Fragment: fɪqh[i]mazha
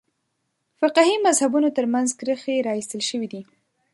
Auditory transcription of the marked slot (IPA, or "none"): i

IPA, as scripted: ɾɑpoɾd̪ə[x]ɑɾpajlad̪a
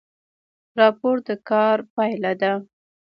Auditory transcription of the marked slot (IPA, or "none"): k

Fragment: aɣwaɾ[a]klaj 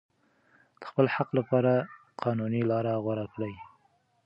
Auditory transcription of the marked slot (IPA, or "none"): a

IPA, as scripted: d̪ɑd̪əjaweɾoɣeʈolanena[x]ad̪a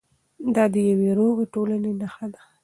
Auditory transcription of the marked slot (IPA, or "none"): x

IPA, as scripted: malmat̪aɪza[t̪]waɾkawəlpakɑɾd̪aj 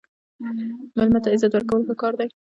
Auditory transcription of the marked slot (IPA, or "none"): t̪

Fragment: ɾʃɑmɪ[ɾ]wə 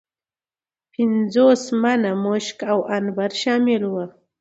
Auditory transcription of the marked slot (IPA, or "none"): l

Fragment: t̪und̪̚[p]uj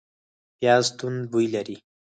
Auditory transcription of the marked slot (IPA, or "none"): b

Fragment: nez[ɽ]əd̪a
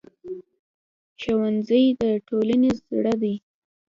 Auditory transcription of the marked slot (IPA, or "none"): ɽ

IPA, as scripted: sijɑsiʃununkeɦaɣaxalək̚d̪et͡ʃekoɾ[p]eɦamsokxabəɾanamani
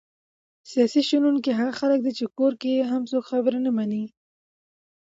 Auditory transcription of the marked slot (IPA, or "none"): k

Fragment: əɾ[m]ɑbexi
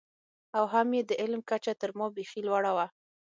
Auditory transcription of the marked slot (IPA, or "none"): m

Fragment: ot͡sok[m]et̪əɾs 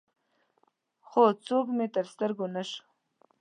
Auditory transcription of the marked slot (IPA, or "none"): m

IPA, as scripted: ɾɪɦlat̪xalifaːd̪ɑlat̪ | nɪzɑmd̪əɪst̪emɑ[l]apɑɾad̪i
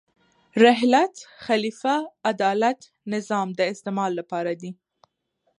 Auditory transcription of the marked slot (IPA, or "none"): lː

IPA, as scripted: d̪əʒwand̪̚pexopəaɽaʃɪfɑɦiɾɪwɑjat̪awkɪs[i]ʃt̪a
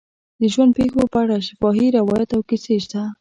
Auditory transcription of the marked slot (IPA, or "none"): e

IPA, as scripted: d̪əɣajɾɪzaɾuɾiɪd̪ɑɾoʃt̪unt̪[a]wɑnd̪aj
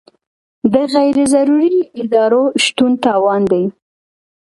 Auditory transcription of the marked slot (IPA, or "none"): ɑ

